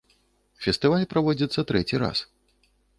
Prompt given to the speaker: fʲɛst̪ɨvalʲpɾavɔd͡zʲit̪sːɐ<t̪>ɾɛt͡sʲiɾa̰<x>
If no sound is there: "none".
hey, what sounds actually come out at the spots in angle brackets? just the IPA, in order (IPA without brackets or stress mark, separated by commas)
t̪, s